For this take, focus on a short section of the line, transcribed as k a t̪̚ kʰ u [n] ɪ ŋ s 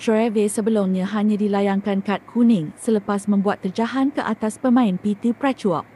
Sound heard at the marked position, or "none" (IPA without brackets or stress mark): n